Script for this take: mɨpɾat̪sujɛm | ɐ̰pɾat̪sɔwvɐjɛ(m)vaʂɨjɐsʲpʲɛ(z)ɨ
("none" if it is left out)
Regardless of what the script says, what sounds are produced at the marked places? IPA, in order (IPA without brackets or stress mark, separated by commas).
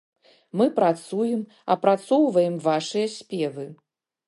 m, v